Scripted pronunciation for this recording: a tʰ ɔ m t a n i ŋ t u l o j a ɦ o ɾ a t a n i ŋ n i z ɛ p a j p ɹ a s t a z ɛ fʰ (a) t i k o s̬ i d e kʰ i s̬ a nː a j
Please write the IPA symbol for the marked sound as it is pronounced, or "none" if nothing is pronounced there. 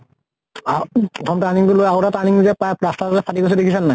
a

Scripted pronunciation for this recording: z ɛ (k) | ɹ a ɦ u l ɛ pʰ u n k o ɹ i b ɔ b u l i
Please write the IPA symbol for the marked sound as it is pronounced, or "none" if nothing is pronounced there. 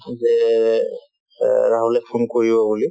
none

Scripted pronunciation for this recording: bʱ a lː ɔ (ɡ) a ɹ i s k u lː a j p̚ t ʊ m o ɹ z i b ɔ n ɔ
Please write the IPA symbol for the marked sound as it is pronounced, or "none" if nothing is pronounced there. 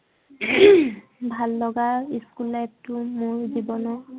ɡ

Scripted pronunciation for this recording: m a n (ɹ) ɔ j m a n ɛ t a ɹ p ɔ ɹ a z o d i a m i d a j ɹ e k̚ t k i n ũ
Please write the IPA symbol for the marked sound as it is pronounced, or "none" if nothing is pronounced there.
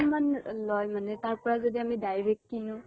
l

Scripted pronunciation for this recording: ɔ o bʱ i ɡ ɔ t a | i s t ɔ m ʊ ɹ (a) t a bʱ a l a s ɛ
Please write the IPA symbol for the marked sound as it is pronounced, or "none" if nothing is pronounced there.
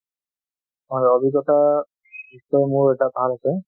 ɛ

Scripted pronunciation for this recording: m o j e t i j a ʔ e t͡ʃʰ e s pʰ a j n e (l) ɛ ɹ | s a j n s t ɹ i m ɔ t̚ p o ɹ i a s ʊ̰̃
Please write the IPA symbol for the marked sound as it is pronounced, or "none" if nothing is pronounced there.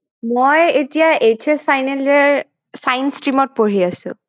l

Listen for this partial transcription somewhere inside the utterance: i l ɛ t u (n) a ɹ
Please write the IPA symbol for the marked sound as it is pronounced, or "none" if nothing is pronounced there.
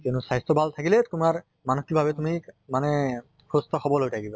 m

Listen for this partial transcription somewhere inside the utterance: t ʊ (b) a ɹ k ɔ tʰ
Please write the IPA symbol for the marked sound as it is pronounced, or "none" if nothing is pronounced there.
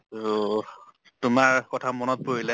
m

